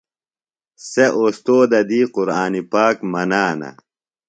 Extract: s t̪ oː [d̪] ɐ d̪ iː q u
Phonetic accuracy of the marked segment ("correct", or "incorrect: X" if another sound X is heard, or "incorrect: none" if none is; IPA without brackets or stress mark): correct